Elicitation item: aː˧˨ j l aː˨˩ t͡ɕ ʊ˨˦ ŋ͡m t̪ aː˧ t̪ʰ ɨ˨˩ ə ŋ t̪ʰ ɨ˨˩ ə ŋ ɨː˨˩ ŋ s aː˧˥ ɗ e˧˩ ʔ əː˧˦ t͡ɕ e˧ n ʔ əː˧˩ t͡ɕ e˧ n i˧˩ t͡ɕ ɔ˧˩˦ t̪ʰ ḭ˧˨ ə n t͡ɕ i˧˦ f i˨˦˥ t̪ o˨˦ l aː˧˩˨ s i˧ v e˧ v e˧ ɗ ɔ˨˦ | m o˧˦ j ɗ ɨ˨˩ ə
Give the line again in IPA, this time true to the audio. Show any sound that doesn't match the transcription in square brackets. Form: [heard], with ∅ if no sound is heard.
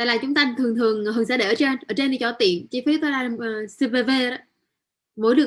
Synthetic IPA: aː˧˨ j l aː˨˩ t͡ɕ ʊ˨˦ ŋ͡m t̪ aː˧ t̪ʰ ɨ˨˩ ə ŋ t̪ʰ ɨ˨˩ ə ŋ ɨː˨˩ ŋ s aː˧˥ ɗ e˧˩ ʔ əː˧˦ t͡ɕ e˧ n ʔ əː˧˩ t͡ɕ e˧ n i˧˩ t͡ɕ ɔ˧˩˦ [t̪] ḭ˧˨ ə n t͡ɕ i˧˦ f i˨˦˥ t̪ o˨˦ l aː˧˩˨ s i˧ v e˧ v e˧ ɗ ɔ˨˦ | m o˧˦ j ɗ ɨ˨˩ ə